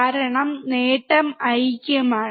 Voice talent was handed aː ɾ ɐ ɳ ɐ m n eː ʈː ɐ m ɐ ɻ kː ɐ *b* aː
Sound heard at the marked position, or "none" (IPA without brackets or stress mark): m